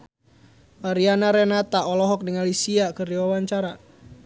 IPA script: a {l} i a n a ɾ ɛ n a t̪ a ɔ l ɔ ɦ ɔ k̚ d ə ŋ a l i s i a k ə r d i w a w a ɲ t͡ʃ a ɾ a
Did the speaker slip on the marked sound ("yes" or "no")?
yes